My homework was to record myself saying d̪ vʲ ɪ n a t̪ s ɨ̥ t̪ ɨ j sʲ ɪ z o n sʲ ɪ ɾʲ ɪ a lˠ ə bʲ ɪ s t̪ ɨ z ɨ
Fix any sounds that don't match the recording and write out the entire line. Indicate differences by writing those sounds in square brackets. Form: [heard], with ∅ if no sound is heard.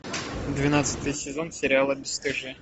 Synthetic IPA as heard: d̪ vʲ ɪ n a t̪ s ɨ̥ t̪ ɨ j sʲ ɪ z o n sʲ ɪ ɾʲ ɪ a lˠ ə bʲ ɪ s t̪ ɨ [ʐ] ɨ